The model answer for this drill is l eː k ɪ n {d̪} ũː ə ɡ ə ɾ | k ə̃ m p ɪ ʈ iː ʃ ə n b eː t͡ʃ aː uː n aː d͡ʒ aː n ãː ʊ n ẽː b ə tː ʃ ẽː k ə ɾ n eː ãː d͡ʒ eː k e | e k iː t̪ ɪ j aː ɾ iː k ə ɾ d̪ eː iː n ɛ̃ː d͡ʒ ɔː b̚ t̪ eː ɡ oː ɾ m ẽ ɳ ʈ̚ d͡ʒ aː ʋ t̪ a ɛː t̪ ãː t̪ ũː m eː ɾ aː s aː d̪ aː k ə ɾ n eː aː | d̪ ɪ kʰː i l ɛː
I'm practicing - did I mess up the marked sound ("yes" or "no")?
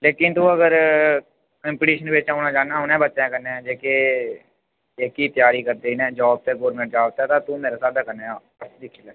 yes